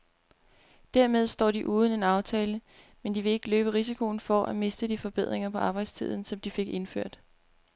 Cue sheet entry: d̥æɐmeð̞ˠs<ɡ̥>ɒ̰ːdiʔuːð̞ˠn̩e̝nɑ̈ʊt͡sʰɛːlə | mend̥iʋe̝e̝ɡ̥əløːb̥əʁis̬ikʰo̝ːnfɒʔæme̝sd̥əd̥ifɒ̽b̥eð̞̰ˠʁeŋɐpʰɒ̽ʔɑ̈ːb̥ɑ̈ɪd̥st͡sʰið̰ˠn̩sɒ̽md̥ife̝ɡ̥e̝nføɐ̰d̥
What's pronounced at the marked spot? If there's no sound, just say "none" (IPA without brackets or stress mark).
d̥